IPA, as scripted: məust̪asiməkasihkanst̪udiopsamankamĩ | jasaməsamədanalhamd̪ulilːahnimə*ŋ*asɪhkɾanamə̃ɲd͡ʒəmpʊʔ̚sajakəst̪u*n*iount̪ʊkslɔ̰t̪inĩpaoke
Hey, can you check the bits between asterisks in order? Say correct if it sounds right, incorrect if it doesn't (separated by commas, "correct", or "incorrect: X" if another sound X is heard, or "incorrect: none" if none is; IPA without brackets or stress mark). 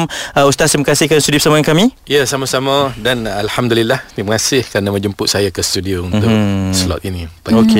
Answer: correct, incorrect: d